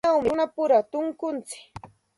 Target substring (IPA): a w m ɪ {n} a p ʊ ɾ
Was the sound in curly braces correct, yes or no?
yes